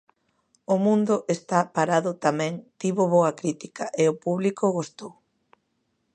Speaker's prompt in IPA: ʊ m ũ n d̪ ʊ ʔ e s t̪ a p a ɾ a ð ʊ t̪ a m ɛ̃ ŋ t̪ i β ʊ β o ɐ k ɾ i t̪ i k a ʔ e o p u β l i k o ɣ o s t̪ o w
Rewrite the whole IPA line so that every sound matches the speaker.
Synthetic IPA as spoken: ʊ m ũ n d̪ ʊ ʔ e s t̪ a p a ɾ a ð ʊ t̪ a m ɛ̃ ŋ t̪ i β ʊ β o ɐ k ɾ i t̪ i k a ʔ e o p u β l i k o ɣ o s t̪ o w